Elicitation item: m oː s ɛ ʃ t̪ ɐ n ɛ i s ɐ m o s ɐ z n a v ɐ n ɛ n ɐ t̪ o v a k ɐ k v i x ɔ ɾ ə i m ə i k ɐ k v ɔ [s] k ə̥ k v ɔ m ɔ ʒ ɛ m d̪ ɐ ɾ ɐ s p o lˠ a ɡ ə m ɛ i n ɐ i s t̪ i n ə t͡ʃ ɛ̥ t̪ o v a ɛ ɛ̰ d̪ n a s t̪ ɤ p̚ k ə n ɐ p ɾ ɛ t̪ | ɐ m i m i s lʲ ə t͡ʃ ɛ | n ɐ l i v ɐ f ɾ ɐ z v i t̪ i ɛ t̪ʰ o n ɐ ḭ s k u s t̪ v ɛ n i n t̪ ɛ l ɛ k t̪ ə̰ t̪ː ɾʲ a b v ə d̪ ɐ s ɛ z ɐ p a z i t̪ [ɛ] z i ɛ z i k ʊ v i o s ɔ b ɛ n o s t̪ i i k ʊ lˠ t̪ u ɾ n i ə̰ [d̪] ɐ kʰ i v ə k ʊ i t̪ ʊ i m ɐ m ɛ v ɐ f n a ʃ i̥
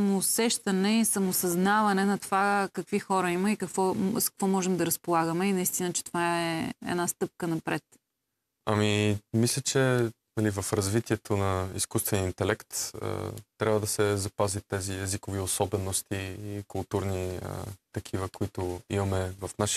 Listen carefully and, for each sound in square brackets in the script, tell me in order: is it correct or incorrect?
correct, correct, incorrect: t̪

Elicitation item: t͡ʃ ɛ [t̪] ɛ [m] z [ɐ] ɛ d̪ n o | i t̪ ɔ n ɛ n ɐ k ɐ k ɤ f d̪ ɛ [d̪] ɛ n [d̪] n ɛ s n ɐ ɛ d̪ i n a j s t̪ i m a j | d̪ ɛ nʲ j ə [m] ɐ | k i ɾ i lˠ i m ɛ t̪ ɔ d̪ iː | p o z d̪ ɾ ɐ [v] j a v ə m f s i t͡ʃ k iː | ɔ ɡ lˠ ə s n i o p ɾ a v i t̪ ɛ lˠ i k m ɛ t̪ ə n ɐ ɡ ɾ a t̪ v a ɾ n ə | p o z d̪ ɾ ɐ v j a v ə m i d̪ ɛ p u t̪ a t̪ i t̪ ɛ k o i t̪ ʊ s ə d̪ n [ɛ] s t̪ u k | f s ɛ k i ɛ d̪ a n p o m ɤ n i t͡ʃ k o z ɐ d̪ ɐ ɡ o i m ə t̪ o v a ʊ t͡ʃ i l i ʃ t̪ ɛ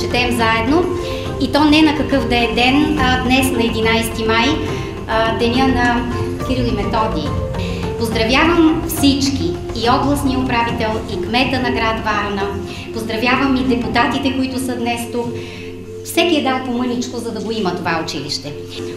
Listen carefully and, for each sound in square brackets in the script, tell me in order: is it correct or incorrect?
correct, correct, incorrect: a, correct, correct, incorrect: n, correct, correct

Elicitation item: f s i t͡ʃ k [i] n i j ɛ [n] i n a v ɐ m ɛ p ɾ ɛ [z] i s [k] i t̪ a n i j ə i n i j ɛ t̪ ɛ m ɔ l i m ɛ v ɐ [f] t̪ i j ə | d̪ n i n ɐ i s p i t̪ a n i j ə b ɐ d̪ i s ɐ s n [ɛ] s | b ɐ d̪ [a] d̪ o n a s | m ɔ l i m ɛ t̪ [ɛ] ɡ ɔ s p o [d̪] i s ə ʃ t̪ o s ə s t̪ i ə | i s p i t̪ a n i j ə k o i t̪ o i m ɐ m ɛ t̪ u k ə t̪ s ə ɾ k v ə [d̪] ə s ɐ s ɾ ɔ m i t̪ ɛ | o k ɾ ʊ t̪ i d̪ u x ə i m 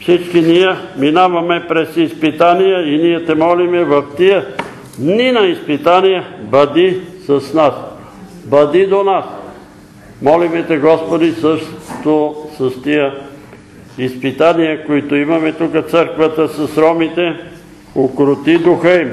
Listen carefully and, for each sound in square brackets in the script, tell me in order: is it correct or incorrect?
correct, incorrect: m, incorrect: s, incorrect: p, correct, incorrect: a, incorrect: i, correct, correct, incorrect: t̪

